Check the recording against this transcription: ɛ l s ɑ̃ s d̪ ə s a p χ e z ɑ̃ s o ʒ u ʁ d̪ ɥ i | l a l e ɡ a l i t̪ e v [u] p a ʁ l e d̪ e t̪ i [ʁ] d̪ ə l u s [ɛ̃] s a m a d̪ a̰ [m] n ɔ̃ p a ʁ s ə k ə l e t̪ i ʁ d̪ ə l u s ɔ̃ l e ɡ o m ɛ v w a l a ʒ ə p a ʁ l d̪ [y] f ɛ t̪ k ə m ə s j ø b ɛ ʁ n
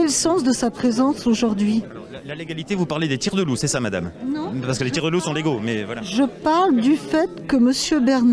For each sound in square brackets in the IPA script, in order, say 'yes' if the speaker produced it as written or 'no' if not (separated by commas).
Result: yes, yes, no, yes, yes